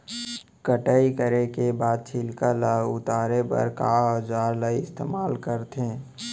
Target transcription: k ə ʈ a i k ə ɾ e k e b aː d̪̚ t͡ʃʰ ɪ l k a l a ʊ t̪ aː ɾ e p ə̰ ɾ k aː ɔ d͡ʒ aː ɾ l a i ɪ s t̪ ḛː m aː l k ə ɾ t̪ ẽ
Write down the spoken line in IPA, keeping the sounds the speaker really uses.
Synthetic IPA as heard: k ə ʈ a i k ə ɾ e k e b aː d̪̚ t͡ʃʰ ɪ l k a l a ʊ t̪ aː ɾ e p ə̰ ɾ k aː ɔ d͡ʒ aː ɾ l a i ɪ s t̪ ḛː m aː l k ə ɾ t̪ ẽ